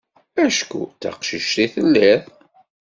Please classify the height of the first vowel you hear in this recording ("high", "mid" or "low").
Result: low